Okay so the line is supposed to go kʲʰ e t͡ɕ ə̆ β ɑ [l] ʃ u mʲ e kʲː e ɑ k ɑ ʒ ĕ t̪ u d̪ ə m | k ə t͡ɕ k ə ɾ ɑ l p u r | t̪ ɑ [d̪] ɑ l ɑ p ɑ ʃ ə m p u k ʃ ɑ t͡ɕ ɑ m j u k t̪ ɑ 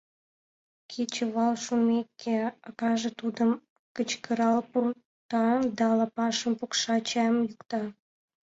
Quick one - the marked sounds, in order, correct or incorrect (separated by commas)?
correct, correct